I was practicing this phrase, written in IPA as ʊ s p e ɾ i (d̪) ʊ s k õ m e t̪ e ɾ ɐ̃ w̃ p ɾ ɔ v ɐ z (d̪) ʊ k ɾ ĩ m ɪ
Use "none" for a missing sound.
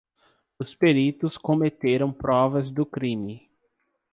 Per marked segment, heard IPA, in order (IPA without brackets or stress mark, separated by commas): t̪, d̪